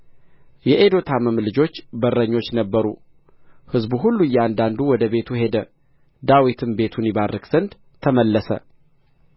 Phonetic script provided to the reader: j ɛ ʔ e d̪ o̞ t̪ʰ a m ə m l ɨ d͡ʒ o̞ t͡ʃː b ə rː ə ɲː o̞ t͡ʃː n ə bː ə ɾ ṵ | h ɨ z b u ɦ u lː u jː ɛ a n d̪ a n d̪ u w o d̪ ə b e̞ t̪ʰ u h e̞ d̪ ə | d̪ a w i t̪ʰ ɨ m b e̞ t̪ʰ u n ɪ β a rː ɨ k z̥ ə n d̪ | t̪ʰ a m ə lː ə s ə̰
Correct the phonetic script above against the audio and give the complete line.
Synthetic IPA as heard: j ɛ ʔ e d̪ o̞ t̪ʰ a m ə m l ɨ d͡ʒ o̞ t͡ʃː b ə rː ə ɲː o̞ t͡ʃː n ə bː ə ɾ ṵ | h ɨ z b u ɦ u lː u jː ɛ a n d̪ a n d̪ u w ɔ d̪ ə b e̞ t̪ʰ u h e̞ d̪ ə | d̪ a w i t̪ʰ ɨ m b e̞ t̪ʰ u n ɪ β a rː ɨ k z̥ ə n d̪ | t̪ʰ ə m ə lː ə s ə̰